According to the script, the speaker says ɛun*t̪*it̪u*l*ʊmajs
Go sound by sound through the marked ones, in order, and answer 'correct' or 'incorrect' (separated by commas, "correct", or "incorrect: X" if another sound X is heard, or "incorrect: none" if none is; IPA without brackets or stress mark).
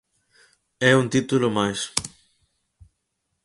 correct, correct